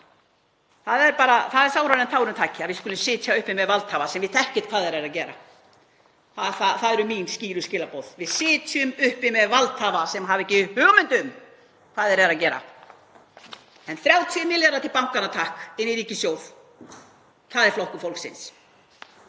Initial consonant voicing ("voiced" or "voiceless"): voiceless